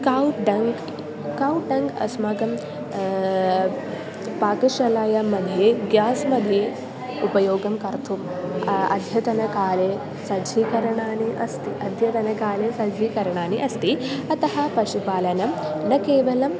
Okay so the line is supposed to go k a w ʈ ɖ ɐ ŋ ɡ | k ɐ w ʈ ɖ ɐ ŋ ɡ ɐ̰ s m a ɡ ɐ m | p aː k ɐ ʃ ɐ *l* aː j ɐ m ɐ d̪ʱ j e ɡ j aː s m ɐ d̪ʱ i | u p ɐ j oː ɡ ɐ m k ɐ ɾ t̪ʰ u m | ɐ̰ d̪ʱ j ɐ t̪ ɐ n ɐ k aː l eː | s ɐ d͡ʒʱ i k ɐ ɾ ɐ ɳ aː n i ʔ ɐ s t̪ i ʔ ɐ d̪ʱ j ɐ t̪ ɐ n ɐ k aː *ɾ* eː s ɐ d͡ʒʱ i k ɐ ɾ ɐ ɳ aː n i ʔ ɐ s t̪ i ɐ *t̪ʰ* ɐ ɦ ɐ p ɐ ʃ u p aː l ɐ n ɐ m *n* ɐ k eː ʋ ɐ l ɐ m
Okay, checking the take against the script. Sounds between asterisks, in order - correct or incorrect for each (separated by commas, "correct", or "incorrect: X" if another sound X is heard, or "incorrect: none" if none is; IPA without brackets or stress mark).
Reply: correct, incorrect: l, incorrect: t̪, correct